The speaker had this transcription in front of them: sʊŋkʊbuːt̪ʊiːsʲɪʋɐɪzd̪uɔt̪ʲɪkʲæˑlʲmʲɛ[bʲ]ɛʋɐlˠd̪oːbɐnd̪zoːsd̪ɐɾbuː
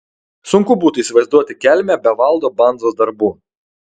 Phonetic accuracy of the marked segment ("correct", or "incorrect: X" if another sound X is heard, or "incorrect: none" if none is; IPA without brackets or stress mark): correct